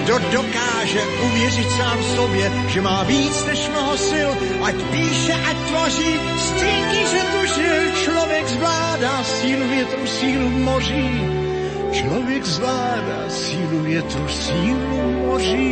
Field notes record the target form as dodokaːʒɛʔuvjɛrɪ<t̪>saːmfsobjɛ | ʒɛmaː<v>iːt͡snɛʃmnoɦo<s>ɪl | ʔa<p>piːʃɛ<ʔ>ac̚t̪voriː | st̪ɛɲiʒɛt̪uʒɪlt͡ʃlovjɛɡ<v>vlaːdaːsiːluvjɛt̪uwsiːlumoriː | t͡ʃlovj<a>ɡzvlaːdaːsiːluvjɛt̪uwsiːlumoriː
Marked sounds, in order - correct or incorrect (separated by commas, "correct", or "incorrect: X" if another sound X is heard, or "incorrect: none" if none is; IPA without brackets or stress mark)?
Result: correct, correct, correct, incorrect: c, correct, incorrect: z, incorrect: ɛ